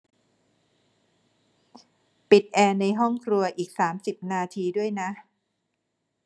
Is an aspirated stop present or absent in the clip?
present